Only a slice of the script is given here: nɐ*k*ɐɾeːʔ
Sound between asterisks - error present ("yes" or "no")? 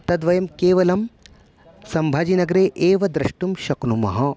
yes